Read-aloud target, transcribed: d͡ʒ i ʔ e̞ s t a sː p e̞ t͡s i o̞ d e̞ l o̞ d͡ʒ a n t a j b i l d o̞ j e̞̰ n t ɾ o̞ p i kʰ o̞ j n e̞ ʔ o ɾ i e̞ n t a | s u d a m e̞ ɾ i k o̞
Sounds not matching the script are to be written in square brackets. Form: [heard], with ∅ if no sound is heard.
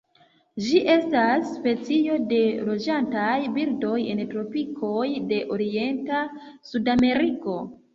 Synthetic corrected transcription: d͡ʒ i ʔ e̞ s t a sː p e̞ t͡s i o̞ d e̞ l o̞ d͡ʒ a n t a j b i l d o̞ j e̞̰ n t ɾ o̞ p i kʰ o̞ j [d] e̞ ʔ o ɾ i e̞ n t a | s u d a m e̞ ɾ i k o̞